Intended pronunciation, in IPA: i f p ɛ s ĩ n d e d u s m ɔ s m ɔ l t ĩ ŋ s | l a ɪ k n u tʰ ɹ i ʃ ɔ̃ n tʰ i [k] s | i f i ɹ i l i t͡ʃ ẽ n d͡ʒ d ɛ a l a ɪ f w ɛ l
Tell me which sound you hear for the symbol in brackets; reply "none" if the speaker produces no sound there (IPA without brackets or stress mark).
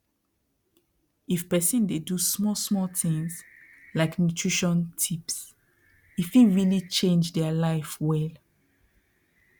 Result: p